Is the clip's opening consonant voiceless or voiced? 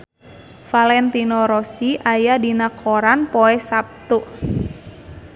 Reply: voiceless